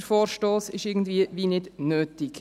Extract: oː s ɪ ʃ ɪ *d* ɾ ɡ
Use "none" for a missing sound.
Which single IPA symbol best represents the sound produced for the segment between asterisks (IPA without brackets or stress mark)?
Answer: none